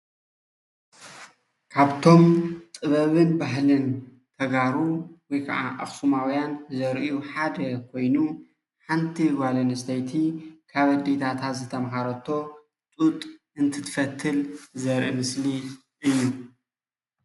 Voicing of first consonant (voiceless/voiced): voiceless